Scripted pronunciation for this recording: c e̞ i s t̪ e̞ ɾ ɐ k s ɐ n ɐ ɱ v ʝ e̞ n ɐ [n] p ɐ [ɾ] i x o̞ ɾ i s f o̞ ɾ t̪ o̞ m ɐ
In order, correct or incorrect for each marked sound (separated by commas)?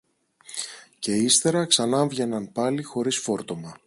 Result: correct, incorrect